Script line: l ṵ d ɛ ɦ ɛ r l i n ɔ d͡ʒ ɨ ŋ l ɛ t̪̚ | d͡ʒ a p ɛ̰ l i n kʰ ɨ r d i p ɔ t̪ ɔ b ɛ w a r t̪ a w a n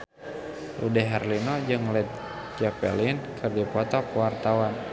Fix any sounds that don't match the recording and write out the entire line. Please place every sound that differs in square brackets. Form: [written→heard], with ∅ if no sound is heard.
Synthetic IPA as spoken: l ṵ d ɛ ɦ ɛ r l i n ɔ d͡ʒ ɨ ŋ l ɛ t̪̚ | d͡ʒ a p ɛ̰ l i n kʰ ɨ r d i p ɔ t̪ ɔ [b→p] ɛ w a r t̪ a w a n